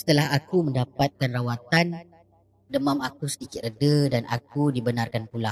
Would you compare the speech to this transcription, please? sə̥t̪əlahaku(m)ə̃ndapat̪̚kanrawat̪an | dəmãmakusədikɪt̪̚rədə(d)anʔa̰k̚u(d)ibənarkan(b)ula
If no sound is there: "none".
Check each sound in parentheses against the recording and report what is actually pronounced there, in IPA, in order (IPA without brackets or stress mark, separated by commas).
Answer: m, d, d, p